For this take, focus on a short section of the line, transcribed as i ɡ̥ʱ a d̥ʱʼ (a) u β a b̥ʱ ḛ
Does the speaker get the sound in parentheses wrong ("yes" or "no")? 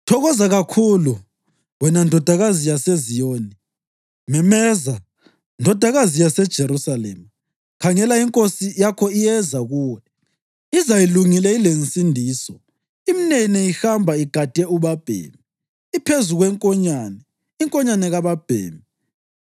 yes